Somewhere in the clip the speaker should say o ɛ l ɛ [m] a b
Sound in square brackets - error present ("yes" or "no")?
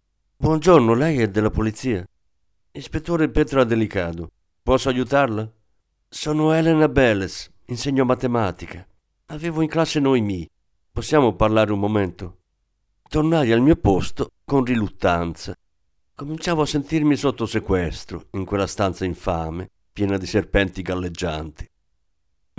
yes